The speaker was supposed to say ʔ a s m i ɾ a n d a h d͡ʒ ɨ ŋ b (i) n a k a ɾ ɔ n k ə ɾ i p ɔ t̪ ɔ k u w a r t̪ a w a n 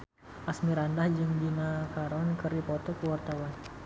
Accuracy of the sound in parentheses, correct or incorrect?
correct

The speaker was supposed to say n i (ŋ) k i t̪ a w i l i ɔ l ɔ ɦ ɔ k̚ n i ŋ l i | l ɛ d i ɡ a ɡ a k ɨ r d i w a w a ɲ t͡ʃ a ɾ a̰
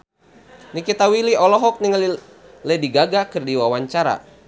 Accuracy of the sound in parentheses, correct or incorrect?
incorrect: none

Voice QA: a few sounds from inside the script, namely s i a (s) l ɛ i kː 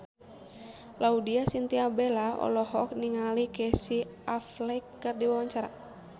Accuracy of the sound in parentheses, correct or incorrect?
incorrect: f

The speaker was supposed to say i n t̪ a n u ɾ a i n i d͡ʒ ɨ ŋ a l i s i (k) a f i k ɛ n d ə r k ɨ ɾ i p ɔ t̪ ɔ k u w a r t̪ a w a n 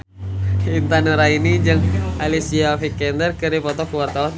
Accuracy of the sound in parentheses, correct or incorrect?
incorrect: none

